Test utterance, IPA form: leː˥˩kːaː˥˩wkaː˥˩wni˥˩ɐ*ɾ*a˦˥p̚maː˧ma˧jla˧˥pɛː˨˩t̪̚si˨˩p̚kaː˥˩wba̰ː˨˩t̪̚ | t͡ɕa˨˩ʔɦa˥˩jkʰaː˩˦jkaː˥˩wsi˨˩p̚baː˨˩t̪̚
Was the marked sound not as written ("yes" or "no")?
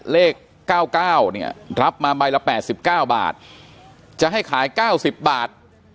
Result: no